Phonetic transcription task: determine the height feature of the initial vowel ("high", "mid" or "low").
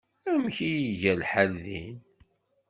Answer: low